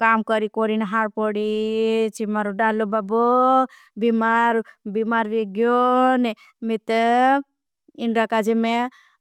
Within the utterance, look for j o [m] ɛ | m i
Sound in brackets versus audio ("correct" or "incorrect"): incorrect